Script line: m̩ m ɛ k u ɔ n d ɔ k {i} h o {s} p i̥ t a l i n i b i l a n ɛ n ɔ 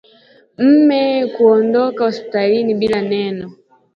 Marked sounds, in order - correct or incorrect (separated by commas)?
incorrect, correct